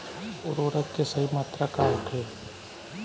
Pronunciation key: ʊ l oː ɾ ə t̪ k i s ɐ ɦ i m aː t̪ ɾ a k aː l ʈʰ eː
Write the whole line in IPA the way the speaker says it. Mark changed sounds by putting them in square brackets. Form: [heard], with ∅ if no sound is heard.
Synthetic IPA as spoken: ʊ [ɾ] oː ɾ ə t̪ k [e] s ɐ ɦ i m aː t̪ ɾ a k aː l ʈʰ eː